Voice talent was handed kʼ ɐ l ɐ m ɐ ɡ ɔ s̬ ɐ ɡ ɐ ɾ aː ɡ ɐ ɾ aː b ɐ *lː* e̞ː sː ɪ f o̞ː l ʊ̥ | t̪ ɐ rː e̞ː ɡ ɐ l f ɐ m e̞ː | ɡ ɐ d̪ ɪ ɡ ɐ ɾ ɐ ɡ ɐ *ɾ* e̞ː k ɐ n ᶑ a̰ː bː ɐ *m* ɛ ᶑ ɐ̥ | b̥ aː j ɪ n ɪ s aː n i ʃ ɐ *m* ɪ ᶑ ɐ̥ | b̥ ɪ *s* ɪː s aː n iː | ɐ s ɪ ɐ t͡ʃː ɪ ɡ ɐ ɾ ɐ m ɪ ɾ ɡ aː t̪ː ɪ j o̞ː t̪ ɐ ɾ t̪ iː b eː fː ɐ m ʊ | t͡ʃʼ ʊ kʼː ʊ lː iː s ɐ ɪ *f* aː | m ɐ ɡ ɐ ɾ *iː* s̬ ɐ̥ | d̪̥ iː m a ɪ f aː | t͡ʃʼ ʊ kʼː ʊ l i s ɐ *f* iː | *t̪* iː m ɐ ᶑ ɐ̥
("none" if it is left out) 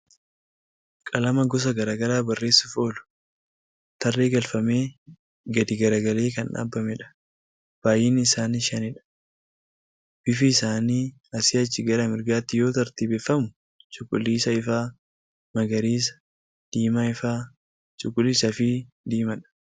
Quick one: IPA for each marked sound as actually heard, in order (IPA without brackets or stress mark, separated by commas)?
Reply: rː, l, m, n, f, f, iː, f, d̪